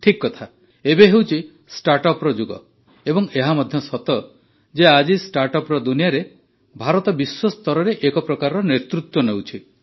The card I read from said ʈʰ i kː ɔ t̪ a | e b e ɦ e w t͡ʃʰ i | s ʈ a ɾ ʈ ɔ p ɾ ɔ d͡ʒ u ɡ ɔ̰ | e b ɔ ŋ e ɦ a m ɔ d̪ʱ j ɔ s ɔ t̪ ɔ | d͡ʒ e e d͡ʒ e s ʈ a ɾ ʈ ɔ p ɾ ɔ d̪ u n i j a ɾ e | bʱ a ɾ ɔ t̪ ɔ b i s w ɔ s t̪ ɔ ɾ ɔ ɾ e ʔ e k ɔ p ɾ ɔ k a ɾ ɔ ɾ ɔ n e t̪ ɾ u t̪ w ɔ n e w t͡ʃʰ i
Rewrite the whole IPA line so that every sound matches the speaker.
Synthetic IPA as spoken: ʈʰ i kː ɔ t̪ʰ a | e b e ɦ e w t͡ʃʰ i | s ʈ a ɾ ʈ ɔ p ɾ ɔ d͡ʒ u ɡ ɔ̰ | e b ɔ ŋ e ɦ a m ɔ d̪ʱ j ɔ s ɔ t̪ ɔ | d͡ʒ e a d͡ʒ i s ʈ a ɾ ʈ ɔ p ɾ ɔ d̪ u n i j a ɾ e | bʱ a ɾ ɔ t̪ ɔ b i s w ɔ s t̪ ɔ ɾ ɔ ɾ e ʔ e k ɔ p ɾ ɔ k a ɾ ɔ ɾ ɔ n e t̪ ɾ u t̪ w ɔ n e w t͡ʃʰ i

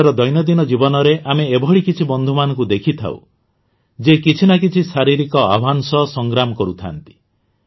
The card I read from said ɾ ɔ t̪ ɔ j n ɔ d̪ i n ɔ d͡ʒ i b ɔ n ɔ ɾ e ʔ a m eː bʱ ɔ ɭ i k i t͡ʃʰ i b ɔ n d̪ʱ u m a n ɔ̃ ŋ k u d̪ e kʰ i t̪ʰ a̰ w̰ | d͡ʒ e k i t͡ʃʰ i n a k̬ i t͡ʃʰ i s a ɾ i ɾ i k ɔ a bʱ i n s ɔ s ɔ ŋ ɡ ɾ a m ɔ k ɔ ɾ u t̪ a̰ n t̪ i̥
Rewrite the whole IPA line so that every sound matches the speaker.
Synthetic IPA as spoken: ɾ ɔ d̪ ɔ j n ɔ d̪ i n ɔ d͡ʒ i b ɔ n ɔ ɾ e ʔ a m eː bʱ ɔ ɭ i k i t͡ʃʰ i b ɔ n d̪ʱ u m a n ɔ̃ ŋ k u d̪ e kʰ i t̪ʰ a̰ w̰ | d͡ʒ e k i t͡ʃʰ i n a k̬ i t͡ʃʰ i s a ɾ i ɾ i k ɔ a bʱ a n s ɔ s ɔ ŋ ɡ ɾ a m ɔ k ɔ ɾ u t̪ʰ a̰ n t̪ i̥

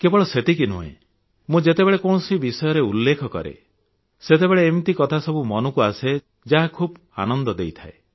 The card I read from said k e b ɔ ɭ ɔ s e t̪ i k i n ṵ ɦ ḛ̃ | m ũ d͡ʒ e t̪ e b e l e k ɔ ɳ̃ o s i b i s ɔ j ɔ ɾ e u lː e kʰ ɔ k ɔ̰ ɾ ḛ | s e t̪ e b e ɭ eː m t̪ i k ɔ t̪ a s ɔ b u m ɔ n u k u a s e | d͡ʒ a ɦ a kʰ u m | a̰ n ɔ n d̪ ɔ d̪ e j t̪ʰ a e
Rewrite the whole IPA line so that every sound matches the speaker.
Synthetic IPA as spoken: k e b ɔ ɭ ɔ s e t̪ i k i n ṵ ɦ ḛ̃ | m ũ d͡ʒ e t̪ e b e ɭ e k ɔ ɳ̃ ɔ s i b i s ɔ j ɔ ɾ e u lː e kʰ ɔ k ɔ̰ ɾ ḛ | s e t̪ e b e ɭ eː m t̪ i k ɔ t̪ʰ a s ɔ b u m ɔ n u k u a s e | d͡ʒ a ɦ a kʰ u b | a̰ n ɔ n d̪ ɔ d̪ e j t̪ʰ a e

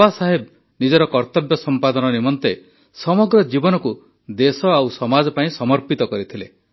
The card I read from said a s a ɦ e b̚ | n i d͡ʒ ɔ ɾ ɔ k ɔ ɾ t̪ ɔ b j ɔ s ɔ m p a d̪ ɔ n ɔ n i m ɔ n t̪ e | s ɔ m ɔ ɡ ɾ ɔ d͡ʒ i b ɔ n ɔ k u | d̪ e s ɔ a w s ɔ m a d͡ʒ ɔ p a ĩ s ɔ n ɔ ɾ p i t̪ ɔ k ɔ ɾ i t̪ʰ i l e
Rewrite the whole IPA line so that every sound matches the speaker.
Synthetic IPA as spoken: a s a ɦ e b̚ | n i d͡ʒ ɔ ɾ ɔ k ɔ ɾ t̪ ɔ b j ɔ s ɔ m p a d̪ ɔ n ɔ n i m ɔ n t̪ e | s ɔ m ɔ ɡ ɾ ɔ d͡ʒ i b ɔ n ɔ k u | d̪ e s ɔ a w s ɔ m a d͡ʒ ɔ p a ĩ s ɔ m ɔ ɾ p i t̪ ɔ k ɔ ɾ i t̪ʰ i l e

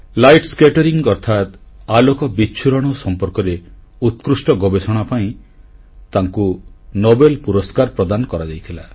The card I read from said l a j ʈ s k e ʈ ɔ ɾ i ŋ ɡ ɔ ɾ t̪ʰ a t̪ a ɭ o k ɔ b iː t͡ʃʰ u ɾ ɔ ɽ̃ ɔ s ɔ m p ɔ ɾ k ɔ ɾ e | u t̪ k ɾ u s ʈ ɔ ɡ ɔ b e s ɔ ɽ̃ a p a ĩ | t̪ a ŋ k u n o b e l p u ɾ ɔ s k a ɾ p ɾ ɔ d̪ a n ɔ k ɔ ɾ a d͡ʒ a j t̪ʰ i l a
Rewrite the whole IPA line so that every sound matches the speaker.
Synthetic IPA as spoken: l a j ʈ s k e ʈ ɔ ɾ i ŋ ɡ ɔ ɾ t̪ʰ a t̪ a l o k ɔ b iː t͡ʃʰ u ɾ ɔ ɽ̃ ɔ s ɔ m p ɔ ɾ k ɔ ɾ e | u t̪ k ɾ u s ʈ ɔ ɡ ɔ b e s ɔ ɽ̃ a p a ĩ | t̪ a ŋ k u n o b e l p u ɾ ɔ s k a ɾ p ɾ ɔ d̪ a n ɔ k ɔ ɾ a d͡ʒ a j t̪ʰ i l a

